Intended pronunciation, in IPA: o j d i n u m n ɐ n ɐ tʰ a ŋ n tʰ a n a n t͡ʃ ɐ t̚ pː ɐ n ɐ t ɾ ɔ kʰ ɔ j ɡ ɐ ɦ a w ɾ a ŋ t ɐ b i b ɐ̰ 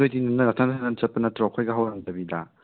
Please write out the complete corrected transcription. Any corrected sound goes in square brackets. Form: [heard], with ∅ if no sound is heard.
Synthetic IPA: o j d i n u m n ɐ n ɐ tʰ a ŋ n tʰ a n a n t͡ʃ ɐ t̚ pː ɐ n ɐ t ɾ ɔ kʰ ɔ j ɡ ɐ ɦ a w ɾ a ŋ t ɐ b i [d] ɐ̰